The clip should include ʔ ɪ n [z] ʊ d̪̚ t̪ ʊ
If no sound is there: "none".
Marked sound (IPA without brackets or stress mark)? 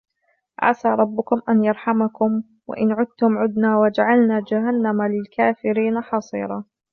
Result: ʕ